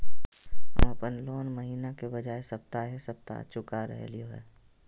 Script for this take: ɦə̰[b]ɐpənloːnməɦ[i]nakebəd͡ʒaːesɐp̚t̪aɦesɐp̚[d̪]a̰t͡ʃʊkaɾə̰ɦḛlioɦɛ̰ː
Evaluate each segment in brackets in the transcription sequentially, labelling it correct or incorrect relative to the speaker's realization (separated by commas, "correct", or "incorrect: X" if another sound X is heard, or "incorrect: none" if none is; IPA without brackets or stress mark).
incorrect: m, incorrect: iː, incorrect: t̪